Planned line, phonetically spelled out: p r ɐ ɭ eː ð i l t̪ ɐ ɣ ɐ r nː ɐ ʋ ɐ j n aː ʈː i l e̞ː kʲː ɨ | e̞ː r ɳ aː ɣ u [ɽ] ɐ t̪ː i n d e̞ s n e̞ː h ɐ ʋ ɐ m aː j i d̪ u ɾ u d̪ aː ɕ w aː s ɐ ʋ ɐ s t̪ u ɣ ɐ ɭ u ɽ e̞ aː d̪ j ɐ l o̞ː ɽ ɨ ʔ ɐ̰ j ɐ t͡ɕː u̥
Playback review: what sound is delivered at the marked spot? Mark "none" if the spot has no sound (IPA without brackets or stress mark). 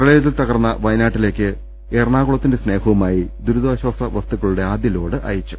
ɭ